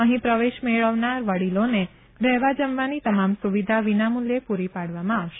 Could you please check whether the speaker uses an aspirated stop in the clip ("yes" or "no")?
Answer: no